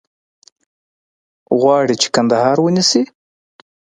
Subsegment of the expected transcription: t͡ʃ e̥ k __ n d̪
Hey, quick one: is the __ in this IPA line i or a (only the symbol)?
a